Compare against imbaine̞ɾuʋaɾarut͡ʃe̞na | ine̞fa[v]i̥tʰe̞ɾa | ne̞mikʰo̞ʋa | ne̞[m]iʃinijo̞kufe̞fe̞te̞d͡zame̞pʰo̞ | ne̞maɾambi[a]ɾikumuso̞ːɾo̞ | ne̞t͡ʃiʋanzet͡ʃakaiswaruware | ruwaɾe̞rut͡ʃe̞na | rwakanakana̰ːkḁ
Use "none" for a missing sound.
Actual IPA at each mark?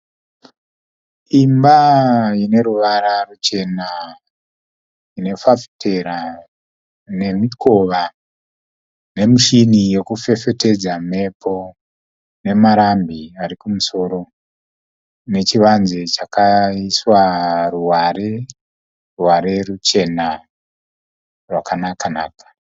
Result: f, m, a

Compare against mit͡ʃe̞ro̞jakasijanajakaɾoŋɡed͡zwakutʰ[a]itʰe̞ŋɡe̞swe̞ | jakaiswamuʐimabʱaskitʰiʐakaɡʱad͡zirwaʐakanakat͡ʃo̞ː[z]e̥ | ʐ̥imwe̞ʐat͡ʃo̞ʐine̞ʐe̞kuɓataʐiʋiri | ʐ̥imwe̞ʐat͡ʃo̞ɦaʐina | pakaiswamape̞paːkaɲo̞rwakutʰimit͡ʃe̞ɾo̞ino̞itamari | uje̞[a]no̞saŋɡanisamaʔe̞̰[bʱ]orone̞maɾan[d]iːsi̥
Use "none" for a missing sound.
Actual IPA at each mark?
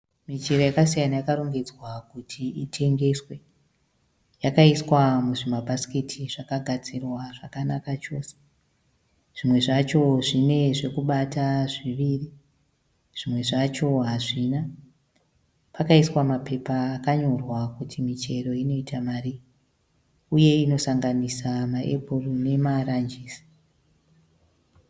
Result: i, s, i, bʱ, d͡ʒ

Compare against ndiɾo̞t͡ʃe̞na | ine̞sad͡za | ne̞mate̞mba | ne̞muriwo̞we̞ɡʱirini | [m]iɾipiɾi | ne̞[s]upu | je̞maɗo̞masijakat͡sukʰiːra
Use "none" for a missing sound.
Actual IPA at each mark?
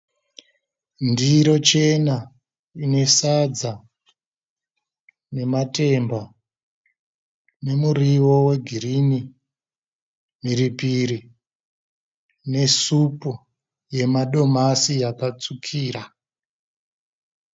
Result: m, s

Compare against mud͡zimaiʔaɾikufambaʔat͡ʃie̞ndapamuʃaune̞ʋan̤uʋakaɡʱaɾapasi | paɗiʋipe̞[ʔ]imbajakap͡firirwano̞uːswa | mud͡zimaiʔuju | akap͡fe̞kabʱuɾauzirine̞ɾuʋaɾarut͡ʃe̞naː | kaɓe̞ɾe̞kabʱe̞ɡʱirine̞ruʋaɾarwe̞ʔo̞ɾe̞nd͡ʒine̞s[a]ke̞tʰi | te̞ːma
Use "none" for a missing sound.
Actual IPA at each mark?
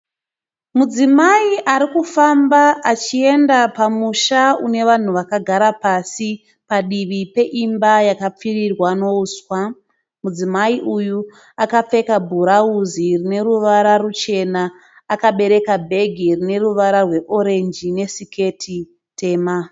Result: ʔ, i

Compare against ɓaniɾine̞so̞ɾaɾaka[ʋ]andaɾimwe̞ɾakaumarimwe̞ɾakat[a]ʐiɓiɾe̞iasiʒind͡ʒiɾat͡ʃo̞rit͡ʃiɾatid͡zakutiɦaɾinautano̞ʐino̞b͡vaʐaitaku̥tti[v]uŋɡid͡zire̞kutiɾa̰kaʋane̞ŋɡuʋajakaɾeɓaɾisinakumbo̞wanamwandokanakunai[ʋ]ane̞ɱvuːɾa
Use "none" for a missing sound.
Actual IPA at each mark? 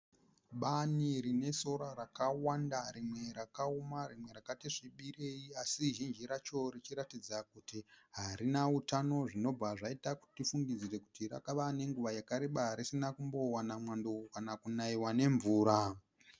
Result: w, i, f, w

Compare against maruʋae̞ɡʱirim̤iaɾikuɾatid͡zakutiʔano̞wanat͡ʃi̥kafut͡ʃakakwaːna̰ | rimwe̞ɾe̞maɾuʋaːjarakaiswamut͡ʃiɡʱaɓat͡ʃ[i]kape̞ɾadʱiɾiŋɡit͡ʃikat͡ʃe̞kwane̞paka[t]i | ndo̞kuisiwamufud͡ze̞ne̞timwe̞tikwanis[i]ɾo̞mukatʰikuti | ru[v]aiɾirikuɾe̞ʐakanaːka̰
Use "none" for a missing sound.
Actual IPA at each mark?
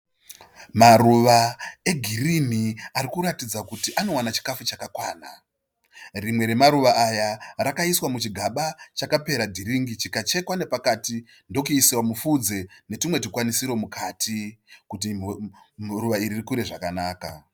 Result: a, t, i, ʋ

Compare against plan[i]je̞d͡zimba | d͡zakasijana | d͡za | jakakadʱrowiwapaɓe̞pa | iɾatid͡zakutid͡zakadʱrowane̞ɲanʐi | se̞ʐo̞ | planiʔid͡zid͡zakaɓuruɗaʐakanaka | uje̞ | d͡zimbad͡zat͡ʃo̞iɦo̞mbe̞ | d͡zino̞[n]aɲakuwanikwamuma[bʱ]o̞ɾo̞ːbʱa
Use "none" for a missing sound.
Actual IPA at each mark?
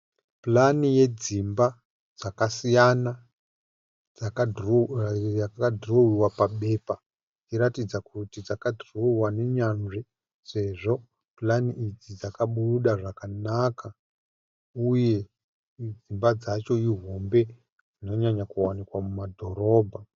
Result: i, ɲ, dʱ

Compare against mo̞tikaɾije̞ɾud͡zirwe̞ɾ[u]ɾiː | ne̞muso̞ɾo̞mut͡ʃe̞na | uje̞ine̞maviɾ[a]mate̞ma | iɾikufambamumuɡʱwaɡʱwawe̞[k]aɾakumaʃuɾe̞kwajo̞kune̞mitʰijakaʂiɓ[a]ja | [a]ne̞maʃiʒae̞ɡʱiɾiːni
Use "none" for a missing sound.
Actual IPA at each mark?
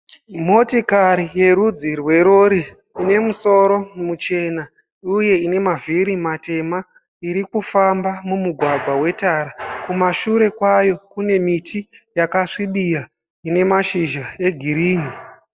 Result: o, i, t, i, i

